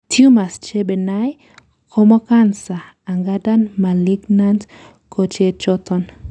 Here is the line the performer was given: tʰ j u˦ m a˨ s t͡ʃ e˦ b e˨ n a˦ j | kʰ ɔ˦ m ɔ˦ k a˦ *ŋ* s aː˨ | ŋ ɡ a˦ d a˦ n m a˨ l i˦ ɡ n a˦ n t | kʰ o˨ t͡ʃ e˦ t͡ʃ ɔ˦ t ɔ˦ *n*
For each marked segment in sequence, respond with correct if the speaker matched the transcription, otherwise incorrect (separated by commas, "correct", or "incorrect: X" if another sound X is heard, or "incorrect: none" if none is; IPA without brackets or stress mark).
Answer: incorrect: n, correct